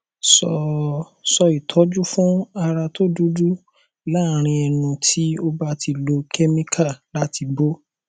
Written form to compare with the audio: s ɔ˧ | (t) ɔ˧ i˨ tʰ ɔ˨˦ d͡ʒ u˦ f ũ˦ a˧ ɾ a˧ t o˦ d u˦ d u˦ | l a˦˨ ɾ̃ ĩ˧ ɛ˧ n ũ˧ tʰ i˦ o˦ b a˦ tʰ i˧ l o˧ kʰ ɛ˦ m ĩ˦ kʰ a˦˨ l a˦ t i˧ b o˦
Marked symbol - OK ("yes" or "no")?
no